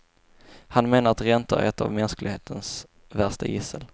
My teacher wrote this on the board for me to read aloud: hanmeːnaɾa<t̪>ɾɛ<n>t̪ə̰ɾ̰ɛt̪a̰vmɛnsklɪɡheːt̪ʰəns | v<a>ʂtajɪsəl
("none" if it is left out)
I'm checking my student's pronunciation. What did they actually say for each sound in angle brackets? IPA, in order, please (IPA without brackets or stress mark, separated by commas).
t̪, n, æ